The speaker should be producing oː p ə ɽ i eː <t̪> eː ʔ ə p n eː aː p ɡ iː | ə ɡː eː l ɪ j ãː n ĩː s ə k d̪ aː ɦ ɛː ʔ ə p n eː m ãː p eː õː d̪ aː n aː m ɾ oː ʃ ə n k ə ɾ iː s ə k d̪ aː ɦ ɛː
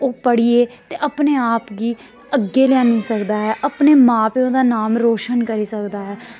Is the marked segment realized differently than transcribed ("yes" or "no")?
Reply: no